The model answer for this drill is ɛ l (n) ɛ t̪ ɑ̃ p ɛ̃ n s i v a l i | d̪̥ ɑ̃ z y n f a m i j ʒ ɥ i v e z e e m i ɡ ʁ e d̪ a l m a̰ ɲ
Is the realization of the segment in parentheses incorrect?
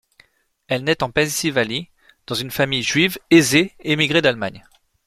no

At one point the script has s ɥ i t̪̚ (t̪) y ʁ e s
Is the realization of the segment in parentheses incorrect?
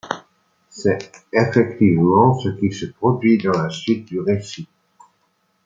yes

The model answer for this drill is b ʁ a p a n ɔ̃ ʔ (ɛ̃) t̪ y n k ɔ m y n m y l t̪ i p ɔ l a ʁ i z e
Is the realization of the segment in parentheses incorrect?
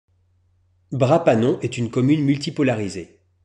yes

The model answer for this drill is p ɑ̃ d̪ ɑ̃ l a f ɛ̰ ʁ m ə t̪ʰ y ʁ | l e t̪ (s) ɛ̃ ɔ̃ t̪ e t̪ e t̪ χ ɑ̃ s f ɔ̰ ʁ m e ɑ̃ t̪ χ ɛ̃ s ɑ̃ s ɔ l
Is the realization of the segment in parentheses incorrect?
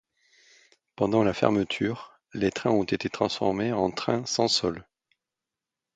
yes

